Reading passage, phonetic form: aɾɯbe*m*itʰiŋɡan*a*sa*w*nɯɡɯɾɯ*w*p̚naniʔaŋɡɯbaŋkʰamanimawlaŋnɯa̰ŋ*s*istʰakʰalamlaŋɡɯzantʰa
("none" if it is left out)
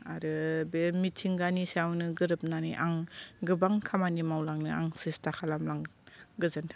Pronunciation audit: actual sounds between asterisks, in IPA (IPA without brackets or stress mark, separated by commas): m, i, w, none, s